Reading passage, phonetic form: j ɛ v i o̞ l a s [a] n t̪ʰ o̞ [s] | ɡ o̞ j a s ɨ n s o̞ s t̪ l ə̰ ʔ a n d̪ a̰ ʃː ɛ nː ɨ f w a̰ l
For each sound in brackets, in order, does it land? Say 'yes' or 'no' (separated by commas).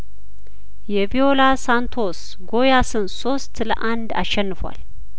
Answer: yes, yes